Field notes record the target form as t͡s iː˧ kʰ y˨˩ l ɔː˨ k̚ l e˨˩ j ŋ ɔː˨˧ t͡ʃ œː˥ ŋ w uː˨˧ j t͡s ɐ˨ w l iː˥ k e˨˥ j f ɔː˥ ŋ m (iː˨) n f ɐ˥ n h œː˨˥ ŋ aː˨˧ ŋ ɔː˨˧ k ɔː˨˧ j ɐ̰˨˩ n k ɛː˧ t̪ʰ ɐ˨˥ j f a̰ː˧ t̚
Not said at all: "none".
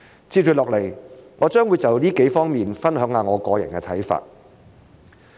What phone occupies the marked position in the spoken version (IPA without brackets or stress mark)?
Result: iː˨